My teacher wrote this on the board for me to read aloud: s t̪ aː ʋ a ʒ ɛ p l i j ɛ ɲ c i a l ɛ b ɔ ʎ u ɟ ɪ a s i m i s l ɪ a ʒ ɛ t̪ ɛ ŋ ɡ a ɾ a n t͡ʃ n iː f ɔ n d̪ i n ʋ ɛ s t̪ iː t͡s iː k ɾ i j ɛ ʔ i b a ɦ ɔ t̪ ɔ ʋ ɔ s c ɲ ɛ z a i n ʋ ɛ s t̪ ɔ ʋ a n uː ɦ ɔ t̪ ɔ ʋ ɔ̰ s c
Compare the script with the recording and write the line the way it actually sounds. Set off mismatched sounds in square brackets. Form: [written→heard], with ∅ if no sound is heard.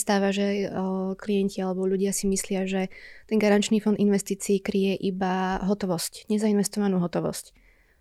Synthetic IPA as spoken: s t̪ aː ʋ a ʒ ɛ [p→k] l i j ɛ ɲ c i a l ɛ b ɔ ʎ u ɟ ɪ a s i m i s l ɪ a ʒ ɛ t̪ ɛ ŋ ɡ a ɾ a n t͡ʃ n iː f ɔ n d̪ i n ʋ ɛ s t̪ iː t͡s iː k ɾ i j ɛ ʔ i b a ɦ ɔ t̪ ɔ ʋ ɔ s c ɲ ɛ z a i n ʋ ɛ s t̪ ɔ ʋ a n uː ɦ ɔ t̪ ɔ ʋ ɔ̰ s c